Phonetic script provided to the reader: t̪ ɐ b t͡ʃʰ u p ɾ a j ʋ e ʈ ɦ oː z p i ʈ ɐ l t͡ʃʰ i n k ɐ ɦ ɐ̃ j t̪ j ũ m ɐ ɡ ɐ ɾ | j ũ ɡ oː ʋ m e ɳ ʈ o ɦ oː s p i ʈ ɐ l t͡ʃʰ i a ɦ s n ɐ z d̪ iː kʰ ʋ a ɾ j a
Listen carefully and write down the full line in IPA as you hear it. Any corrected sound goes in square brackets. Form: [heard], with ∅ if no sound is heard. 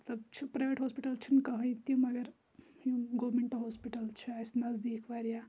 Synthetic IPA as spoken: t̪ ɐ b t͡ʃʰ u p ɾ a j ʋ e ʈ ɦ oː [s] p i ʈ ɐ l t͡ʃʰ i n k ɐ ɦ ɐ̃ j t̪ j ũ m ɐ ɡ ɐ ɾ | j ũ ɡ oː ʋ m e ɳ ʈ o ɦ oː s p i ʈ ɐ l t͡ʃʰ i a [∅] s n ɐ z d̪ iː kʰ ʋ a ɾ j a